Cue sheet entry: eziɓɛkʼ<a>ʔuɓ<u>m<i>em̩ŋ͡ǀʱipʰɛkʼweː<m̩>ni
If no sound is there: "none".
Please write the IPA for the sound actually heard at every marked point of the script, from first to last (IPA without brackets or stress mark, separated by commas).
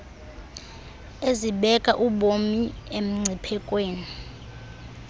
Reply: a, o, i, none